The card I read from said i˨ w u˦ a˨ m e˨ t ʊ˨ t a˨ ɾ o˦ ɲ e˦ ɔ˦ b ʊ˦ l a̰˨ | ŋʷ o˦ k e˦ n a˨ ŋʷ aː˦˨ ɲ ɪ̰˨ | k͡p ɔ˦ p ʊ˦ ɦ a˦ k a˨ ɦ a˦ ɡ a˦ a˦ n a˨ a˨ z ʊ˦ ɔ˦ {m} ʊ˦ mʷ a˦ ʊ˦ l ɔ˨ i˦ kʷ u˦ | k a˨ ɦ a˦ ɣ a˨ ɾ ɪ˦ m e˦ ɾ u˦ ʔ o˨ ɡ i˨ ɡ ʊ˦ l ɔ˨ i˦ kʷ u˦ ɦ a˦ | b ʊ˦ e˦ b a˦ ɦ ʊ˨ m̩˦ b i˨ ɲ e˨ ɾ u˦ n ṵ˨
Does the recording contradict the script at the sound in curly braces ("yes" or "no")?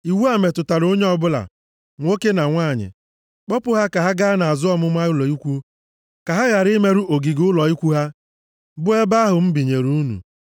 no